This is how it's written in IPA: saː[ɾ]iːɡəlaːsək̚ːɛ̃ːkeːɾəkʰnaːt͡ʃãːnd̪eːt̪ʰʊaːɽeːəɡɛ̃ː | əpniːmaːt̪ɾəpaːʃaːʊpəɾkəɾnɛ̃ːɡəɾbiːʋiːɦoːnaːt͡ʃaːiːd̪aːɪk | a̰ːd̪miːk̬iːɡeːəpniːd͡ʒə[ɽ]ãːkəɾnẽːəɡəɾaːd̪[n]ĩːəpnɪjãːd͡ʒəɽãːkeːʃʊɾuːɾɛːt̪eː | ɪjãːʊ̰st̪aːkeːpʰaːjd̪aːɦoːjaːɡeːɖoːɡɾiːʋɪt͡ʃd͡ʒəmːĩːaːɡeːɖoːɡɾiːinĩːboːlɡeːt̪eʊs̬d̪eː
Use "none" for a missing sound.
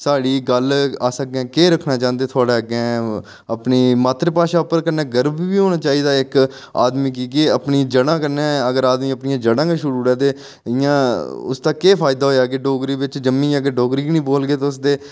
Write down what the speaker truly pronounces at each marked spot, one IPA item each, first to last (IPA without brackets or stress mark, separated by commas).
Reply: ɽ, ɽ, m